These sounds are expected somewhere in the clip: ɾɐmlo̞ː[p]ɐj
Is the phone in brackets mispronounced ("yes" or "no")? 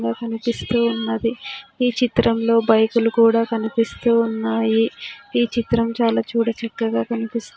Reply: yes